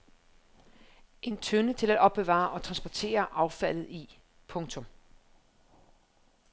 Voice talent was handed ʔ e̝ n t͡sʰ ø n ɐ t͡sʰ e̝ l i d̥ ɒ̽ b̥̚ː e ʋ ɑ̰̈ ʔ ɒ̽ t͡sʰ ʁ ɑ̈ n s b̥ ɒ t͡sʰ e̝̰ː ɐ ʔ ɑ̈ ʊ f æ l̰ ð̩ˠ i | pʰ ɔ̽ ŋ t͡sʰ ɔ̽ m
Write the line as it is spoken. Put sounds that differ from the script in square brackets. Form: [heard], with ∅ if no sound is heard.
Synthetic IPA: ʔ e̝ n t͡sʰ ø n [ə] t͡sʰ e̝ l [æ] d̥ ɒ̽ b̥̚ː e ʋ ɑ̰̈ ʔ ɒ̽ t͡sʰ ʁ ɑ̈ n s b̥ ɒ t͡sʰ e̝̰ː ɐ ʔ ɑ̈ ʊ f æ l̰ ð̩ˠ i | pʰ ɔ̽ ŋ t͡sʰ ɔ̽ m